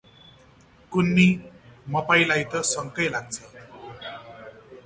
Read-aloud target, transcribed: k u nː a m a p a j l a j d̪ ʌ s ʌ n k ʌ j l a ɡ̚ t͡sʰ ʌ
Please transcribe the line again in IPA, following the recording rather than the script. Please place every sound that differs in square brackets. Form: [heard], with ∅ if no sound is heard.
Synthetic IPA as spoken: k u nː [i] m [ʌ] p a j l a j [t̪] ʌ s ʌ [ŋ] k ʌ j l a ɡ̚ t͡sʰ ʌ